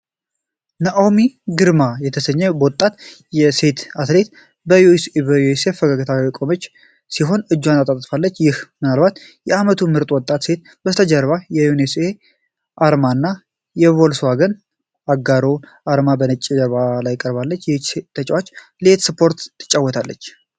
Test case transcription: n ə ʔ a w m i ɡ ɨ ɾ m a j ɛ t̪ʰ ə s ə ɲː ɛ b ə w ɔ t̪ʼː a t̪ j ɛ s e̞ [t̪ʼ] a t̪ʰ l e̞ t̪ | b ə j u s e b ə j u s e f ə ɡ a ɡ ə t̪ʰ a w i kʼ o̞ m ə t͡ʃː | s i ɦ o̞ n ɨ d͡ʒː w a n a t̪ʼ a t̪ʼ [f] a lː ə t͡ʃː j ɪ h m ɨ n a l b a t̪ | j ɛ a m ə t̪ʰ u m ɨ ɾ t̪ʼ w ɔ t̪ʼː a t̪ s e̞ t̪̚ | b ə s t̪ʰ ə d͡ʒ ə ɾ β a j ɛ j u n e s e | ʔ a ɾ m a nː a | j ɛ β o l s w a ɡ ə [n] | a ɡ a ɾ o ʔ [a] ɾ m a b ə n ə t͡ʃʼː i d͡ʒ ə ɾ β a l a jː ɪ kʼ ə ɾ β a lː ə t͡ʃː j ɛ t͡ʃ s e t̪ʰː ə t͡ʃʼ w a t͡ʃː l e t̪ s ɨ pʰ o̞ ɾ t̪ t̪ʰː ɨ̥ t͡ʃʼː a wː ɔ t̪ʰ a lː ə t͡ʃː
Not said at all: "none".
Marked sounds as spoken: t̪, f, n, a

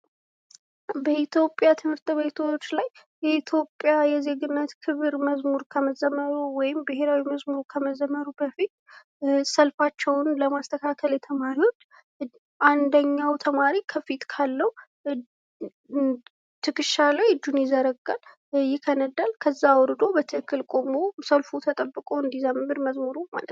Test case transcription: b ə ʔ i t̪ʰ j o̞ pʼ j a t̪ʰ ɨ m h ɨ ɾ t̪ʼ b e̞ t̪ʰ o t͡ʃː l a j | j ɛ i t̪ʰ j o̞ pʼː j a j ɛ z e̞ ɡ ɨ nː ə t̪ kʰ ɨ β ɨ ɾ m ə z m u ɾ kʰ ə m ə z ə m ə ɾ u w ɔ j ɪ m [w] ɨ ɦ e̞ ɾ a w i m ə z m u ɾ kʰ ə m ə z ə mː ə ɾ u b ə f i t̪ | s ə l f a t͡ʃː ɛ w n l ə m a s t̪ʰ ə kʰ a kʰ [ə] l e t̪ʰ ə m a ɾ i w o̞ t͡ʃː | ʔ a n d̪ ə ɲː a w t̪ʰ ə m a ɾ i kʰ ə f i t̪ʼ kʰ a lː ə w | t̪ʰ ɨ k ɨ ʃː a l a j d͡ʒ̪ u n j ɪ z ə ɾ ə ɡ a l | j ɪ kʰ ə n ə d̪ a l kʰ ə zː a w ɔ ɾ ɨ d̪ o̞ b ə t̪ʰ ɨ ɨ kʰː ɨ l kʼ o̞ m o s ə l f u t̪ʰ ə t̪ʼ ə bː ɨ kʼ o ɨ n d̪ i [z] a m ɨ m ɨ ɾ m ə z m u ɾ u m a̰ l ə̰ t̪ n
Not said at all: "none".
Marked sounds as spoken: b, ə, z

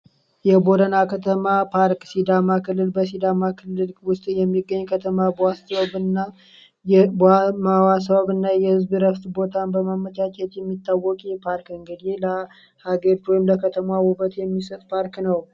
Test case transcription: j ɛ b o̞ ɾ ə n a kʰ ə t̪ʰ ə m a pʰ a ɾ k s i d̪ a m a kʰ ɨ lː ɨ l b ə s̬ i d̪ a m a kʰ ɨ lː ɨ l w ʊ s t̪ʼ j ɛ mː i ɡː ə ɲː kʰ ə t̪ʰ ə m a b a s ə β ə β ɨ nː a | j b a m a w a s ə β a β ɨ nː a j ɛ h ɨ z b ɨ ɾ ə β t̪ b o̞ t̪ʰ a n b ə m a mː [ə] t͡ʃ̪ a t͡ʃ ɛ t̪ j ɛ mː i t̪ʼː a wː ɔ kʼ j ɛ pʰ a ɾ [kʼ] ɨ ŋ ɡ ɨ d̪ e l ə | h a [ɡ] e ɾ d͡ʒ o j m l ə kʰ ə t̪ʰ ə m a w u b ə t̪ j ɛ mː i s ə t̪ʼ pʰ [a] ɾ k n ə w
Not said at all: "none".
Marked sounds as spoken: ə, k, ɡ, a

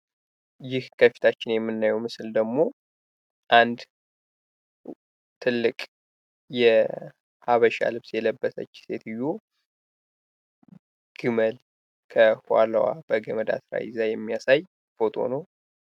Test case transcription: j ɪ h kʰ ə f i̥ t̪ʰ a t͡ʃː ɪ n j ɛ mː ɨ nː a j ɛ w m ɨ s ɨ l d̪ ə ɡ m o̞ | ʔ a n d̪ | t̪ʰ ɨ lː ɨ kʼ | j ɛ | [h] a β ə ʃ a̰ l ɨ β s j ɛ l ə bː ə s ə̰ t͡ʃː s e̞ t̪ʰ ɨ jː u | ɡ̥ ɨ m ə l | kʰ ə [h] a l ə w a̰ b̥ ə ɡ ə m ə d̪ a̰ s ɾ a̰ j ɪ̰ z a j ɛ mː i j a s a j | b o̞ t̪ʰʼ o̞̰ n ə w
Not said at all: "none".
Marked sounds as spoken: h, h

